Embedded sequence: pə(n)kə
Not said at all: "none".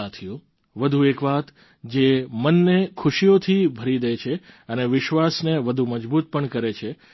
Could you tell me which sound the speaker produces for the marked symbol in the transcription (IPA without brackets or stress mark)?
ɳ